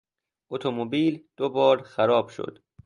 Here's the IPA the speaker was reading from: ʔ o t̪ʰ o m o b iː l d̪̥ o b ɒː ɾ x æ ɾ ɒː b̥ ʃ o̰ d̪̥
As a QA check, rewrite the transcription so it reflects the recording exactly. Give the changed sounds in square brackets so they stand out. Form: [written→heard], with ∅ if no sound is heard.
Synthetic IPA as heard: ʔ o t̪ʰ o m o b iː l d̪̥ o b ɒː ɾ x æ ɾ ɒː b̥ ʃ o̰ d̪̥